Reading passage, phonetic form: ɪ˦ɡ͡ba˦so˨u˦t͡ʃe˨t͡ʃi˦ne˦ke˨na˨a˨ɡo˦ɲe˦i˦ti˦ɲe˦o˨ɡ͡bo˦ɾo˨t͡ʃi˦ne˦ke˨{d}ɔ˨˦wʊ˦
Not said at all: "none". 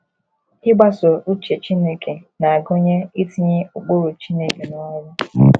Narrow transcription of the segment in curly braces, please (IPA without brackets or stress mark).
n